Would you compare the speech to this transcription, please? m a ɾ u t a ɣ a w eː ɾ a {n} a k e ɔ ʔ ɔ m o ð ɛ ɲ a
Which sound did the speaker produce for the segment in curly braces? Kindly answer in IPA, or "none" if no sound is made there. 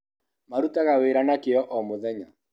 n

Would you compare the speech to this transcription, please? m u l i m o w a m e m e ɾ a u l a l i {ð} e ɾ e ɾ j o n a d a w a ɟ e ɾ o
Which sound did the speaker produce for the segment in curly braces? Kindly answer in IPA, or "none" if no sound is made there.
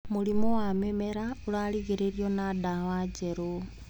ɣ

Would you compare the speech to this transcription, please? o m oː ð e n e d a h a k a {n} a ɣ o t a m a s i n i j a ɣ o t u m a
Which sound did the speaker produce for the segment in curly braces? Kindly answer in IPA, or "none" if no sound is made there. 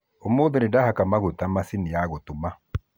m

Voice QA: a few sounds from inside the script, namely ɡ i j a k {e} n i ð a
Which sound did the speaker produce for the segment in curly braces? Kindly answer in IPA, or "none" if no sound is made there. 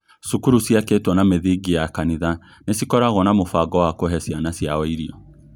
a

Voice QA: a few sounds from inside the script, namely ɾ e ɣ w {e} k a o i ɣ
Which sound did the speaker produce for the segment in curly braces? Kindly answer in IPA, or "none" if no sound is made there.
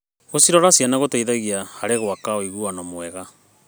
a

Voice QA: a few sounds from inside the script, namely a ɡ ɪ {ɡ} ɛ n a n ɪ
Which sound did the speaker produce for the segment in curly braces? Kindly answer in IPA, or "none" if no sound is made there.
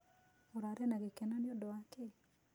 k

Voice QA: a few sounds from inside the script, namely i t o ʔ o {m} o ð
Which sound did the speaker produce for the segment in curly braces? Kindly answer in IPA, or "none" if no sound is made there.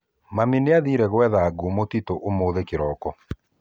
m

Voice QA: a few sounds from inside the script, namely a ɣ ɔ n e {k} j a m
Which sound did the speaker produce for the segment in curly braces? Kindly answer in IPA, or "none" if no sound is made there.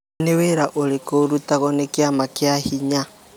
k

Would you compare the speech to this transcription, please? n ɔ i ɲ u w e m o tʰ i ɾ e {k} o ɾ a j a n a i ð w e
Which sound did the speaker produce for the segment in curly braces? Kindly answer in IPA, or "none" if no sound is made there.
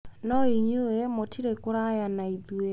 k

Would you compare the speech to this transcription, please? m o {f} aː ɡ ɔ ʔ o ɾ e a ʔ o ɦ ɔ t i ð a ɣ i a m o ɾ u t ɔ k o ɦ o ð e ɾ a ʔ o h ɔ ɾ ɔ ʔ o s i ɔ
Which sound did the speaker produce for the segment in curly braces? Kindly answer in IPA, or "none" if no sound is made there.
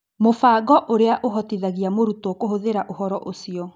f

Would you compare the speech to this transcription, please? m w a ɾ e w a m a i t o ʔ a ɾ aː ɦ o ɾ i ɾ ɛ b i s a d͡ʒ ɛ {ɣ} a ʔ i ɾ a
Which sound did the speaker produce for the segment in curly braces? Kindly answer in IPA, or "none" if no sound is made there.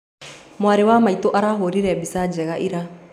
ɣ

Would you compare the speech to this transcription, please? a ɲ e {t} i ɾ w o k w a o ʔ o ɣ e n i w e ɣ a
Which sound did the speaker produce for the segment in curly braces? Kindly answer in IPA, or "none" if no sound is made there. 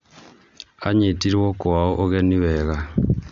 t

